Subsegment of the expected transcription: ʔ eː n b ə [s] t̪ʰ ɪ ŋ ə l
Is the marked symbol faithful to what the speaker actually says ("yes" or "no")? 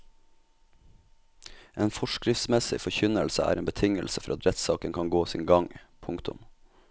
no